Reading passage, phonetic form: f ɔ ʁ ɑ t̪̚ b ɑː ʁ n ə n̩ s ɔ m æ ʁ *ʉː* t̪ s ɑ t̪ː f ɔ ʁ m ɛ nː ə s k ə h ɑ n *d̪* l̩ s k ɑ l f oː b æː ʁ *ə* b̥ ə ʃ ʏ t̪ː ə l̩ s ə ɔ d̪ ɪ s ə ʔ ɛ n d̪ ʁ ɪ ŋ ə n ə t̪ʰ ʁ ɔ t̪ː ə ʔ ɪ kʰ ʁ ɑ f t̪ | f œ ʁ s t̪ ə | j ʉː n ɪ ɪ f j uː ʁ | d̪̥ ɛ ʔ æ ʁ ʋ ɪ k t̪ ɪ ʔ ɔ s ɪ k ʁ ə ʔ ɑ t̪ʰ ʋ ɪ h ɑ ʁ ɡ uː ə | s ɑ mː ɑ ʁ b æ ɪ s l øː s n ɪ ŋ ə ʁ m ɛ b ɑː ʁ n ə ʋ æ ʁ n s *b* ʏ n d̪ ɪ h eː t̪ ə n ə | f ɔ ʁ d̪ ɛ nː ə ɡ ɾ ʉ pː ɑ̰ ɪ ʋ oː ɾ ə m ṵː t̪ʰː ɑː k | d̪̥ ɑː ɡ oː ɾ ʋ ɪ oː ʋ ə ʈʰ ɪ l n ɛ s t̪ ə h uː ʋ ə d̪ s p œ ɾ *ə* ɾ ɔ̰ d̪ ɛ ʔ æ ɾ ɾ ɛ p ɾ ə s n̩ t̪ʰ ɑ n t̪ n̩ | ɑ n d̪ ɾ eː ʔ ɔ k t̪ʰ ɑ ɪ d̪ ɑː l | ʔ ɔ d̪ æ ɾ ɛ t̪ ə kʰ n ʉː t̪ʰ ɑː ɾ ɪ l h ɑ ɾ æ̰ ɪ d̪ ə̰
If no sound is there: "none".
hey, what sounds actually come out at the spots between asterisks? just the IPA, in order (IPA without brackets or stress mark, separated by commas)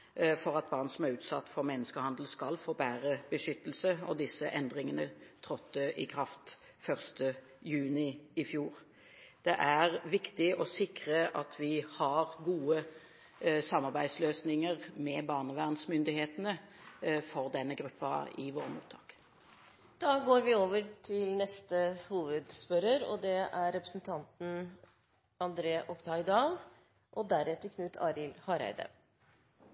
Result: ʉː, d̪, ə, m, ə